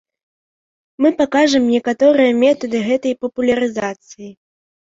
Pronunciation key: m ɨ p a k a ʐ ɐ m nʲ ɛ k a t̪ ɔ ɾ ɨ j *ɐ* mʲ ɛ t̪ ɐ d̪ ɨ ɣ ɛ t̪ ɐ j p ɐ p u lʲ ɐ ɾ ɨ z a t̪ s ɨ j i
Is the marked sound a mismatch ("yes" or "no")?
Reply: no